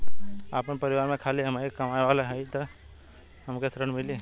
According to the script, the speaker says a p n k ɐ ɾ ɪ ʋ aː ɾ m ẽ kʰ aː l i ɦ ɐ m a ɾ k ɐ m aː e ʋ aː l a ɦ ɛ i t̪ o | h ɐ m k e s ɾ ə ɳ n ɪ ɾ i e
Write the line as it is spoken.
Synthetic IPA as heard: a p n p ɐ ɾ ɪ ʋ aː ɾ m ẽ kʰ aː l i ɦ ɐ m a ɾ k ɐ m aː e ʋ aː l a ɦ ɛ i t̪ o | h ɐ m k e s ɾ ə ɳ m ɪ l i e